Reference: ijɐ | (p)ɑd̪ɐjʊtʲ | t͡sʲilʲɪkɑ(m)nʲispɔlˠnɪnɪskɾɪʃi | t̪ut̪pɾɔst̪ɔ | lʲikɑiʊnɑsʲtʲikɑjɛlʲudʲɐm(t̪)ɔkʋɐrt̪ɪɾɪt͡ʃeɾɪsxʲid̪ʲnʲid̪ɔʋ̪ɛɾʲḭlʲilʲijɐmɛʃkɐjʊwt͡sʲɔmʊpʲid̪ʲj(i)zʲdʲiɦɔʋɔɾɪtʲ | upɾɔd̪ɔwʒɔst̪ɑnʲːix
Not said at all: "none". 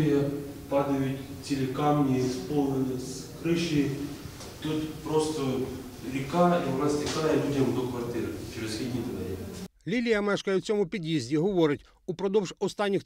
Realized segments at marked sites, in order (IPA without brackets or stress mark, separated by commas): p, m, d̪, i